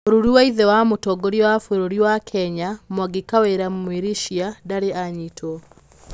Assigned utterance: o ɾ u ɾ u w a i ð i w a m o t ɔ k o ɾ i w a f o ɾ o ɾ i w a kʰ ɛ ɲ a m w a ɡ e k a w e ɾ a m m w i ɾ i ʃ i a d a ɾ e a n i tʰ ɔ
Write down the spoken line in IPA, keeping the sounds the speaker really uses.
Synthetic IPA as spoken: o ɾ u ɾ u w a i ð ɛ w a m o t ɔ ɡ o ɾ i w a f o ɾ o ɾ i w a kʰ ɛ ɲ a m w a ɡ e k a w e ɾ a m m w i ɾ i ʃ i a d a ɾ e a ɲ i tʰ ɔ